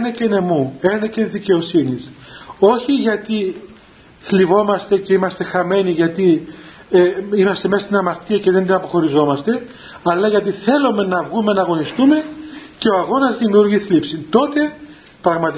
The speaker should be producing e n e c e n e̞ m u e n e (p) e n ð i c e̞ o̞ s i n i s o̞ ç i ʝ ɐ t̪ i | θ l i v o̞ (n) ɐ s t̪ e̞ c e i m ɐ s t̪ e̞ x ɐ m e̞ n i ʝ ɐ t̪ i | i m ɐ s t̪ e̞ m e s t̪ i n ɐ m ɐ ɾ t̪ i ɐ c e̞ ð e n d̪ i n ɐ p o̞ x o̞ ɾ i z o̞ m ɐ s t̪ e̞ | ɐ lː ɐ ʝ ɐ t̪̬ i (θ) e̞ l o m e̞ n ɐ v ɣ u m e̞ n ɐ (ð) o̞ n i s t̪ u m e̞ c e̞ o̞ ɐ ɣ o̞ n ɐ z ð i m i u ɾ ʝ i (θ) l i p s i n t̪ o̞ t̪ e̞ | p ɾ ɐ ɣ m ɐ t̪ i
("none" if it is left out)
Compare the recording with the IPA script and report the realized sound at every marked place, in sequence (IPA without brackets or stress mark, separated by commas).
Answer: c, m, θ, ɣ, θ